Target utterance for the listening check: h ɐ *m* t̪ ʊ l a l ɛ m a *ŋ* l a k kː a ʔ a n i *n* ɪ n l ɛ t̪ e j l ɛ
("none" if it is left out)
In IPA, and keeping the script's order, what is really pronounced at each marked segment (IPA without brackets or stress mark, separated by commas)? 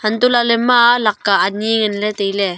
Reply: n, none, ŋ